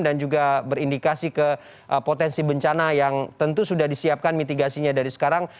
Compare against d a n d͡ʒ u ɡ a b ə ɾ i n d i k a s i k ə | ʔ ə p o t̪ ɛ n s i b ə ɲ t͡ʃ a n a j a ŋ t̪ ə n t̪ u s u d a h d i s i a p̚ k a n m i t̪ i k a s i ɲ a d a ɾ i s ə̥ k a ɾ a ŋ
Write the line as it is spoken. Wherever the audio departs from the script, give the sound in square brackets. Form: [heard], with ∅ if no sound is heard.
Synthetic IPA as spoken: d a n d͡ʒ u ɡ a b ə ɾ i n d i k a s i k ə | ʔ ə p o t̪ ɛ n s i b ə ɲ t͡ʃ a n a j a ŋ t̪ ə n t̪ u s u d a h d i s i a p̚ k a n m i t̪ i [ɡ] a s i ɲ a d a ɾ i s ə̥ k a ɾ a ŋ

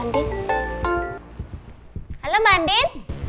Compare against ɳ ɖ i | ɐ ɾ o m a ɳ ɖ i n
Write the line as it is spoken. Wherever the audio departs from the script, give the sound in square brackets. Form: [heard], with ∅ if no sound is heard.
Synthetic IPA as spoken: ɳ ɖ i | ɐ [l] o m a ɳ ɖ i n

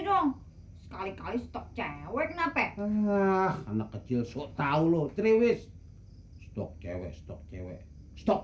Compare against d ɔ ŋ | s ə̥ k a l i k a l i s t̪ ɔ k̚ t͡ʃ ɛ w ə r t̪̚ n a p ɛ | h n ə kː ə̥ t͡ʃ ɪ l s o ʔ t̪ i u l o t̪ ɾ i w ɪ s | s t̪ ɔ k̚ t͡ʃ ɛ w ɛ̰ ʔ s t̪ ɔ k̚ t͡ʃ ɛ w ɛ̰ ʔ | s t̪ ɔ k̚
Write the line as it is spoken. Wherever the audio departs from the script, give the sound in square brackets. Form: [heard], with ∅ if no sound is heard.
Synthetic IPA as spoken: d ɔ ŋ | s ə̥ k a l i k a l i s t̪ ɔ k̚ t͡ʃ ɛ w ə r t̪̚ n a p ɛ | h n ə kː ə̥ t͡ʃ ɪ l s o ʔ t̪ [a] u l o t̪ ɾ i w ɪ s | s t̪ ɔ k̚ t͡ʃ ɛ w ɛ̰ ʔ s t̪ ɔ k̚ t͡ʃ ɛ w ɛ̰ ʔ | s t̪ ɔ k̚

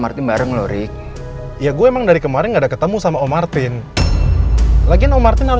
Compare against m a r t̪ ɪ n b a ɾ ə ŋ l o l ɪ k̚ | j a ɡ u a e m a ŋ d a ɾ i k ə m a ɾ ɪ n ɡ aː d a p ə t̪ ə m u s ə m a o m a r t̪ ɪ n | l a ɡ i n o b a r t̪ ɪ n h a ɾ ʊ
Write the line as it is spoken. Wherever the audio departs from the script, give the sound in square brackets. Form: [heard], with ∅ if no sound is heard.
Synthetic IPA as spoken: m a r t̪ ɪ n b a ɾ ə ŋ l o [ɾ] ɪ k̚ | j a ɡ u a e m a ŋ d a ɾ i k ə m a ɾ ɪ n ɡ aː d a [k] ə t̪ ə m u s [a] m a o m a r t̪ ɪ n | l a ɡ i n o [m] a r t̪ ɪ n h a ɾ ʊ

